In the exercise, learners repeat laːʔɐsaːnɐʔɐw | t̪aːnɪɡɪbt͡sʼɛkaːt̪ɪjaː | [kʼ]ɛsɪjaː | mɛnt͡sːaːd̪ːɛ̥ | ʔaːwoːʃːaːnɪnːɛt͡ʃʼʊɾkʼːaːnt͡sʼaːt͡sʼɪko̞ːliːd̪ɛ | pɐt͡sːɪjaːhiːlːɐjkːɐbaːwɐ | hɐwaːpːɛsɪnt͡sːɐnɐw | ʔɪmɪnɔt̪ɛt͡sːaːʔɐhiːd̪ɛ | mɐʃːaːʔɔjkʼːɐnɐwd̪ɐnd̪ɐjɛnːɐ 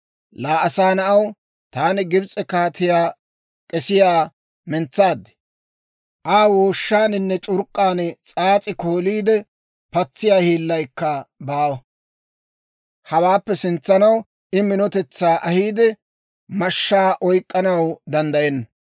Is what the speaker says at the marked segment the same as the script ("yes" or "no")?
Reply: yes